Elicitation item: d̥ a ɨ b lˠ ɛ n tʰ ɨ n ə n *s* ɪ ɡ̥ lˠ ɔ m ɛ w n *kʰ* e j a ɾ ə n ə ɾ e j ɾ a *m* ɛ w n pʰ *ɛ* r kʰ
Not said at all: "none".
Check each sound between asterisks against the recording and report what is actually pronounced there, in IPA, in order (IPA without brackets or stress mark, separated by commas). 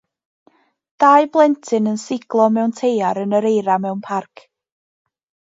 s, tʰ, m, a